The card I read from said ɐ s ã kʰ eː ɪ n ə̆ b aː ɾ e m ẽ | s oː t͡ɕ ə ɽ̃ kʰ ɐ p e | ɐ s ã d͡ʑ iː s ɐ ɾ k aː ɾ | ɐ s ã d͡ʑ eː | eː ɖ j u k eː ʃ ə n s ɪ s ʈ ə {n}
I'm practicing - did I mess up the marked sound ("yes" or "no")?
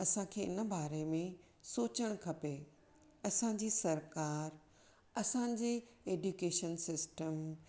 yes